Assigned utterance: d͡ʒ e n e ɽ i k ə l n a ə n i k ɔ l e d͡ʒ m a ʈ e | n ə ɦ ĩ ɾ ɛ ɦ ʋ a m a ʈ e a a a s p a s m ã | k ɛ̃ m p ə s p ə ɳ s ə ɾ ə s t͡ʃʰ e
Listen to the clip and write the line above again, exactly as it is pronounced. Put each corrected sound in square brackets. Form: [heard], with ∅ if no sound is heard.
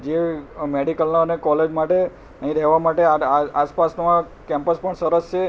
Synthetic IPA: d͡ʒ e [m] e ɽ i k ə l n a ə n [e] k ɔ l e d͡ʒ m a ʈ e | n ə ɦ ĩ ɾ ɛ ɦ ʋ a m a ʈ e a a a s p a s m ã | k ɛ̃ m p ə s p ə ɳ s ə ɾ ə s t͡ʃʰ e